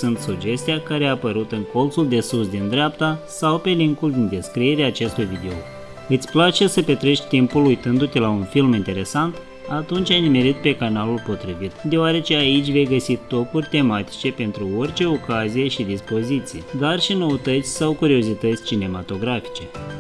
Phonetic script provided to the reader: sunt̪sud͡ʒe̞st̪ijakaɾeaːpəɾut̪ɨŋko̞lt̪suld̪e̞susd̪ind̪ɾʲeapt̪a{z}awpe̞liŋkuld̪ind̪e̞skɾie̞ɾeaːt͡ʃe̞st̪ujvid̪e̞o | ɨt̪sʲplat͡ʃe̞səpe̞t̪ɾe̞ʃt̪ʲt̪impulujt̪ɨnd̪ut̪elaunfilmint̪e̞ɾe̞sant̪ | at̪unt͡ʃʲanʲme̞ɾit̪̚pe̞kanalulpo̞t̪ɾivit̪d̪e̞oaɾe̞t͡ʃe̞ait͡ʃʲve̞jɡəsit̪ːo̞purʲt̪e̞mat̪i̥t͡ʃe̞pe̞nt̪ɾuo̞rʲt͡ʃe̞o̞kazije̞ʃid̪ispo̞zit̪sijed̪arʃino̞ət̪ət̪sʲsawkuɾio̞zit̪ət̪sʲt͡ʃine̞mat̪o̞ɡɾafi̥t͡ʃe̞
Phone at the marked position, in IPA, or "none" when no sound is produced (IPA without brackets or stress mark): s